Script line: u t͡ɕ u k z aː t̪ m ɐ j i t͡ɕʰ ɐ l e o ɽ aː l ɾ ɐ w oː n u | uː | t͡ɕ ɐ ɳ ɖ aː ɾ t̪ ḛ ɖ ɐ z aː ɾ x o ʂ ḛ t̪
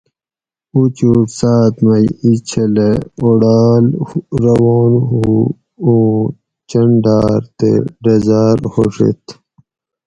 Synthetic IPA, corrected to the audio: u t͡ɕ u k s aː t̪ m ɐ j i t͡ɕʰ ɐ l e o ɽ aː l ɾ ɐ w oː n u | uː | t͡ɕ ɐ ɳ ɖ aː ɾ t̪ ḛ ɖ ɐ z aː ɾ h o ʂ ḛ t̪